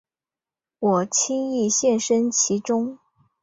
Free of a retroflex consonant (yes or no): no